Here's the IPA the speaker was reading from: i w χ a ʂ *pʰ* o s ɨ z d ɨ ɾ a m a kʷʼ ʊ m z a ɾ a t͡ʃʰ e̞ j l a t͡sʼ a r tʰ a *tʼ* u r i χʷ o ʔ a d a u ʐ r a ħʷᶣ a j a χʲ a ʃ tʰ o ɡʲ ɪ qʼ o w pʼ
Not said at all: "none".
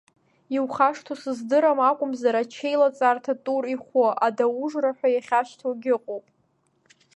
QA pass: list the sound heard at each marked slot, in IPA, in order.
tʰ, tʼ

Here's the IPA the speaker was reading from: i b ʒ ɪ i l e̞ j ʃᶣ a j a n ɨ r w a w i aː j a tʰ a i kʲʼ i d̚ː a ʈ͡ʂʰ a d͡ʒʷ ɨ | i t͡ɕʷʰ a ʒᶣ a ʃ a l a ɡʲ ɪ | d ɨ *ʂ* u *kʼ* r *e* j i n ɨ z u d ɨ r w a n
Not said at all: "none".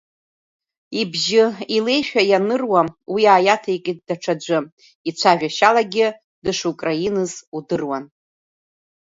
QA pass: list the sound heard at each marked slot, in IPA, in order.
ʂ, kʼ, a

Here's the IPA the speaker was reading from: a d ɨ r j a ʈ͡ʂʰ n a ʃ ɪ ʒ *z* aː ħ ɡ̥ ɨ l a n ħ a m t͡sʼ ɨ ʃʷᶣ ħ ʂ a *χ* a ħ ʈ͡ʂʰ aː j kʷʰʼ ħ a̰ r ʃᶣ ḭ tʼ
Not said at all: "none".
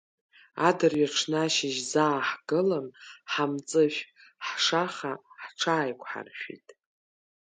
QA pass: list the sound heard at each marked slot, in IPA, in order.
z, χ

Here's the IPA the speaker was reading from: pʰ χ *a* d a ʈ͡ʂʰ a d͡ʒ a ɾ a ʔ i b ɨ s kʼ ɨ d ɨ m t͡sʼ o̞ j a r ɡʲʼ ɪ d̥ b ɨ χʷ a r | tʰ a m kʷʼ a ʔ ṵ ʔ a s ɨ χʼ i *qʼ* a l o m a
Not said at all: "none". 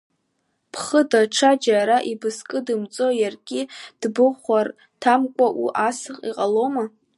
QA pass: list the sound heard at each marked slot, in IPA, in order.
ə, qʼ

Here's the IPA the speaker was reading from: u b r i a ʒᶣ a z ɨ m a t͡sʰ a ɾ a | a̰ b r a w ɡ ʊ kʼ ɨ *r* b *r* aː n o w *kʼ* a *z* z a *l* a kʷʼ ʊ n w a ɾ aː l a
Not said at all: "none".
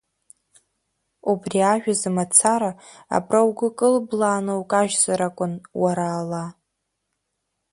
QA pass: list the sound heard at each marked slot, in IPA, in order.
l, l, kʼ, ʒ, ɾ

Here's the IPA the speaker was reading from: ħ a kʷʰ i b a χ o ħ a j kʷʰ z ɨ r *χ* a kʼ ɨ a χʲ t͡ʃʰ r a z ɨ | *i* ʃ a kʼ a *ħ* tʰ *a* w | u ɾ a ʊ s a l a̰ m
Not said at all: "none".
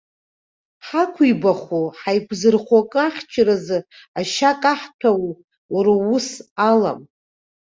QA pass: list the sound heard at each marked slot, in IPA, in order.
χ, a, ħ, a

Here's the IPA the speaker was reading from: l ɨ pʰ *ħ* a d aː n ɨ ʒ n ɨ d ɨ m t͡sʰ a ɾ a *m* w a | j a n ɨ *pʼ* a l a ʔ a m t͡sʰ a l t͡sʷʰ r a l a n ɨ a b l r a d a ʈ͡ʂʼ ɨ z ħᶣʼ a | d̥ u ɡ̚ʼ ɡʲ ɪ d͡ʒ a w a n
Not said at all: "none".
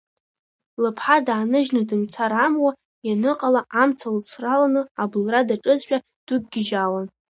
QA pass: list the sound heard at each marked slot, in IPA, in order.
ħ, m, qʼ

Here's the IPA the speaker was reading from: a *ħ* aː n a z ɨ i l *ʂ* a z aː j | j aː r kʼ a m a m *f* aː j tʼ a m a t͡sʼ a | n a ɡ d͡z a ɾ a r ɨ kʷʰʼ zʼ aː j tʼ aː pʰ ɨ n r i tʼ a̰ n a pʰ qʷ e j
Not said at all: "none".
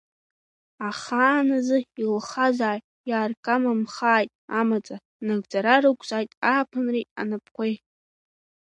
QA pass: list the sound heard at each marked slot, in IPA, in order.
χ, χ, χ

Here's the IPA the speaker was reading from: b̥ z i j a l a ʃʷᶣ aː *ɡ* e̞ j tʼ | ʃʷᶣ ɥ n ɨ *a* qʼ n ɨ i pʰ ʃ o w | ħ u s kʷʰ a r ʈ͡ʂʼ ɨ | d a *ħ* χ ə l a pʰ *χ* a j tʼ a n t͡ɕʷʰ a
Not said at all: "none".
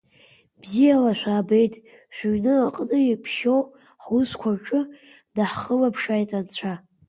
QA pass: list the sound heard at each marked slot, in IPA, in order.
b, a, ħ, ʂ

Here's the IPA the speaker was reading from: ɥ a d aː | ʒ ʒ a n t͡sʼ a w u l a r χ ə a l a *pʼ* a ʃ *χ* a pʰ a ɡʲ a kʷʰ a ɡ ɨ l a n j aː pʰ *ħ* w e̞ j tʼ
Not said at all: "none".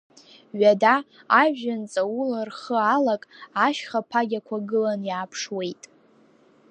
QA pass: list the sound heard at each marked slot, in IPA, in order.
kʼ, χ, ʂ

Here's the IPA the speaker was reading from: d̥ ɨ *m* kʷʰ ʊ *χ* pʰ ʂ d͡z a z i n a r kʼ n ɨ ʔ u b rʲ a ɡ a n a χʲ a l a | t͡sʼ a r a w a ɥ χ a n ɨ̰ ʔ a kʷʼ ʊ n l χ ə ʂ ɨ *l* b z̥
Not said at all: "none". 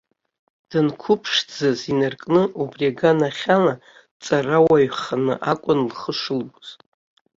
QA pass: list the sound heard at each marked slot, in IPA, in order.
n, none, l

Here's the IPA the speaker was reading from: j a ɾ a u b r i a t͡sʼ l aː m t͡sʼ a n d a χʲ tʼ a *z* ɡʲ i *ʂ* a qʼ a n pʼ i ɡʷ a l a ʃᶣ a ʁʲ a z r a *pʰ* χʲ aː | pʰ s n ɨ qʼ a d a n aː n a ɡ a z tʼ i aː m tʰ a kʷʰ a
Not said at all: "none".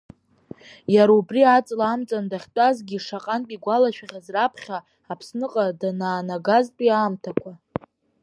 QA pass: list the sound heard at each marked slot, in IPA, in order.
z, ʂ, pʰ

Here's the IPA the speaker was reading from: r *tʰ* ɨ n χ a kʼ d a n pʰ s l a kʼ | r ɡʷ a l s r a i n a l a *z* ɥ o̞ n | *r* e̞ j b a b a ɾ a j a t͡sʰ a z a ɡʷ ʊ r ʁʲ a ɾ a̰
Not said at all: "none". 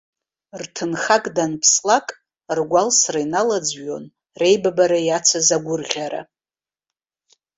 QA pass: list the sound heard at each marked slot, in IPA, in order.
tʰ, d͡z, r

